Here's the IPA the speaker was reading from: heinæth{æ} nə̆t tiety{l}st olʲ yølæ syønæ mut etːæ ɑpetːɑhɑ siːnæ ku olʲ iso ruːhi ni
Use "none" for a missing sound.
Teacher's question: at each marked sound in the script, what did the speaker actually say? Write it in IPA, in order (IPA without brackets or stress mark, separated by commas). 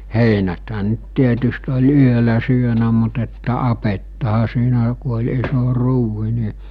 æ, none